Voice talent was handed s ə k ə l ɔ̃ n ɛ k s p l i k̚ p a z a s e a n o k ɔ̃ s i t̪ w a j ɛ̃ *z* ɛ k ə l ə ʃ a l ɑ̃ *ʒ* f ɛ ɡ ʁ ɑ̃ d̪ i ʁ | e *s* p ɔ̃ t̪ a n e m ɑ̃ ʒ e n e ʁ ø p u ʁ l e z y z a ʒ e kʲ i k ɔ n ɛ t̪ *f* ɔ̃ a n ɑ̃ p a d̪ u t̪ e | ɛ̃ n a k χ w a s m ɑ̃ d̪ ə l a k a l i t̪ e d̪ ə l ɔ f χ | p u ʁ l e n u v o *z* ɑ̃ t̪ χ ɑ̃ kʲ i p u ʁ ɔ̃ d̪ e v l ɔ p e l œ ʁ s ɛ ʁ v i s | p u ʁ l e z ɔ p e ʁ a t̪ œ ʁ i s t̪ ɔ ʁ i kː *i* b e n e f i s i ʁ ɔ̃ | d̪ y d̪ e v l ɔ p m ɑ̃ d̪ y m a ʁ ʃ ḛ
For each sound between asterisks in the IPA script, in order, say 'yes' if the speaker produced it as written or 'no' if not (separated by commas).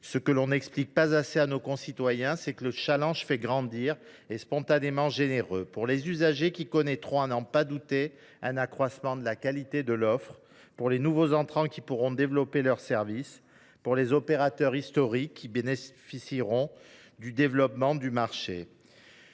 no, yes, yes, no, yes, yes